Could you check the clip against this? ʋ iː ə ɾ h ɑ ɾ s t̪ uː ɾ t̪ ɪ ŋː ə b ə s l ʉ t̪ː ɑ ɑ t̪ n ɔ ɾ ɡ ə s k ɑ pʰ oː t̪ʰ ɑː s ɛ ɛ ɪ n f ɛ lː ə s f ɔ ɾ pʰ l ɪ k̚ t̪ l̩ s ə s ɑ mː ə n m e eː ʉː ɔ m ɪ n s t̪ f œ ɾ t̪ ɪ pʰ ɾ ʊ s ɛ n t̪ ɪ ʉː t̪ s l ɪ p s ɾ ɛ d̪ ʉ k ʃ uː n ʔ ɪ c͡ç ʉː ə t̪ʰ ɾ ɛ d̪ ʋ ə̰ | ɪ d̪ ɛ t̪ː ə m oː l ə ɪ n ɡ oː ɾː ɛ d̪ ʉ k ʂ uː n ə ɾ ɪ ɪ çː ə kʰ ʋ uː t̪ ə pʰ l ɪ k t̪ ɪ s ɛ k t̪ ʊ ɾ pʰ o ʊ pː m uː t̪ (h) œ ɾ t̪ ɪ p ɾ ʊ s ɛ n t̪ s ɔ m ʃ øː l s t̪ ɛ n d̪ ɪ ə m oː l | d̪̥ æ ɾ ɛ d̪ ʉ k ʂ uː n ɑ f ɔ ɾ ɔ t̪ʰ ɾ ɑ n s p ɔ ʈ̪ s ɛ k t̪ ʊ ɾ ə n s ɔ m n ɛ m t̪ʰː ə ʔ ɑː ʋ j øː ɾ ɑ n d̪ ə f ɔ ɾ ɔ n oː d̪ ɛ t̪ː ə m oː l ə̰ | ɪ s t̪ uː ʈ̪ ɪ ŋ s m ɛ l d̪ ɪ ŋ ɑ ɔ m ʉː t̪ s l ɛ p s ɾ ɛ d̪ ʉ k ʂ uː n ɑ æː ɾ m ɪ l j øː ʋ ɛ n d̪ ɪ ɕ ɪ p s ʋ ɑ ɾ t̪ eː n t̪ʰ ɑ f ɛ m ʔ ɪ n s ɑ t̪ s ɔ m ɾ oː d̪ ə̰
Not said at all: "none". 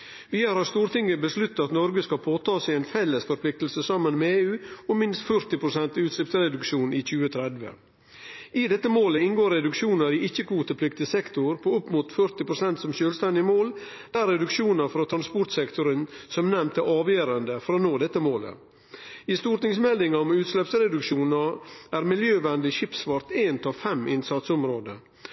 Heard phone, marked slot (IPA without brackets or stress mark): f